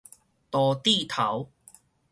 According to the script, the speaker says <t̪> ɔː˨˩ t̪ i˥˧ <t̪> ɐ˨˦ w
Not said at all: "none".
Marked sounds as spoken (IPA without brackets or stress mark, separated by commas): t̪, t̪ʰ